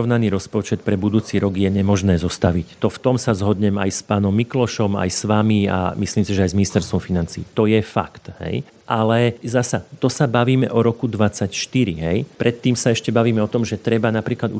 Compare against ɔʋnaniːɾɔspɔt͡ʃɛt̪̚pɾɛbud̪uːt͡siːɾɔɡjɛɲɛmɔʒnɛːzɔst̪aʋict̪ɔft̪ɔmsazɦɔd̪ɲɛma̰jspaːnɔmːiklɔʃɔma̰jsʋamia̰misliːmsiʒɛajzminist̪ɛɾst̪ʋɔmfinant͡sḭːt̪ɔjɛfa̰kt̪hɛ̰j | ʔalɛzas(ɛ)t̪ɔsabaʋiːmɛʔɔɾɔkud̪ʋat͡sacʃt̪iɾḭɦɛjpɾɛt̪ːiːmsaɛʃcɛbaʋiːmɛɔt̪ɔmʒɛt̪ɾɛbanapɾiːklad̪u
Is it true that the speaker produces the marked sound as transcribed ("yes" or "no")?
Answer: no